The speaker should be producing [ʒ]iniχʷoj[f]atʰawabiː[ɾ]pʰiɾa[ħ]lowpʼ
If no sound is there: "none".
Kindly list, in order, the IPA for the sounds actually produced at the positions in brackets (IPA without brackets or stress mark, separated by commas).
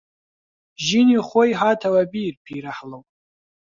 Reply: ʒ, ħ, r, ħ